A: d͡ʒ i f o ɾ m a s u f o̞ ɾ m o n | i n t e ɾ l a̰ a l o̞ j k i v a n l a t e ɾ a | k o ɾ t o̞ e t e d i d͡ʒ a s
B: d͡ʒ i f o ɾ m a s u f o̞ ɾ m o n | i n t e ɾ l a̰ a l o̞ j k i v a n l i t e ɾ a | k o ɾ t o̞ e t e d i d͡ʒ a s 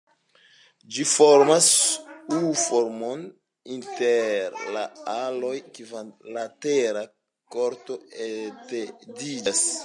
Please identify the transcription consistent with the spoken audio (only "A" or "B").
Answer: A